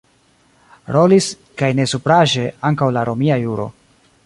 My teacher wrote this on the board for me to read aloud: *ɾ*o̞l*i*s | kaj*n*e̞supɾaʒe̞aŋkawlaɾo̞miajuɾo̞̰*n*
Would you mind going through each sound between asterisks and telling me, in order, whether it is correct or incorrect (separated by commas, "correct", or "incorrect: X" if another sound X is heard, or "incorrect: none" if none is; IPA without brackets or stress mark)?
correct, correct, correct, incorrect: none